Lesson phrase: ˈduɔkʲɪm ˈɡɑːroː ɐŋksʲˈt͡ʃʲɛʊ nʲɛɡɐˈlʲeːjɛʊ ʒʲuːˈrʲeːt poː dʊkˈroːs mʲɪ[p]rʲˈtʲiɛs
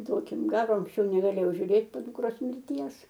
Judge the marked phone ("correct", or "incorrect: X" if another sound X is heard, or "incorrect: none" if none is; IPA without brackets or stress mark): incorrect: none